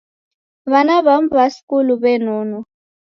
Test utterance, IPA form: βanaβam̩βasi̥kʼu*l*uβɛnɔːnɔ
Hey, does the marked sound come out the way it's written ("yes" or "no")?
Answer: yes